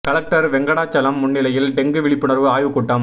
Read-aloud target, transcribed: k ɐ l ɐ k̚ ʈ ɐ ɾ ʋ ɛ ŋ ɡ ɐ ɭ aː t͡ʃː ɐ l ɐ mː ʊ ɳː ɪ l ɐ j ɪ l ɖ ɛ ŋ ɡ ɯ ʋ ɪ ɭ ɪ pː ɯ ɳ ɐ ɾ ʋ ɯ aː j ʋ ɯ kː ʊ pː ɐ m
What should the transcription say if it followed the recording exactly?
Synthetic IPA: k ɐ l ɐ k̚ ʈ ɐ ɾ ʋ ɛ ŋ ɡ ɐ ɽ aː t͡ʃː ɐ l ɐ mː ʊ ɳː ɪ l ɐ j ɪ l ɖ ɛ ŋ ɡ ɯ ʋ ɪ ɭ ɪ pː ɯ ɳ ɐ ɾ ʋ ɯ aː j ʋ ɯ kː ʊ ʈː ɐ m